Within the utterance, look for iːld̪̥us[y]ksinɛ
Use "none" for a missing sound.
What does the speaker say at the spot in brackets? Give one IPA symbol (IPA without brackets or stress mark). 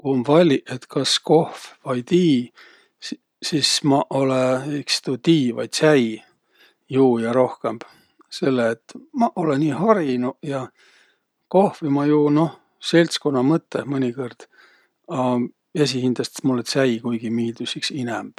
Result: i